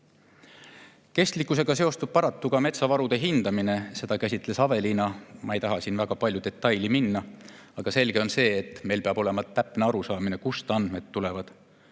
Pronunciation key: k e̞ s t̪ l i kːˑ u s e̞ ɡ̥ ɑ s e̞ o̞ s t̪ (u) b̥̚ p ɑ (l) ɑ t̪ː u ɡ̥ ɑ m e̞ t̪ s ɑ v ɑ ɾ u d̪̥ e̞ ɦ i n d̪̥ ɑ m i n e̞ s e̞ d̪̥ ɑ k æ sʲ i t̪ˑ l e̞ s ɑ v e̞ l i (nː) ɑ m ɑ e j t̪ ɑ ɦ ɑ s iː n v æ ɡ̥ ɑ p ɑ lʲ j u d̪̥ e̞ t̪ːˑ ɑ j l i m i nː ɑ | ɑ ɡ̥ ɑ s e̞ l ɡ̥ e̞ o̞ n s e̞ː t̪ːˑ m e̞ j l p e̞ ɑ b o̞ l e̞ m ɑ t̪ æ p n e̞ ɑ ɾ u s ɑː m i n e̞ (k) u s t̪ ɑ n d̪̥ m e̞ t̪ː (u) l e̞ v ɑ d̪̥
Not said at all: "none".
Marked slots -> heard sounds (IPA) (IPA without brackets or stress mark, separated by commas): u, ɾ, n, k, u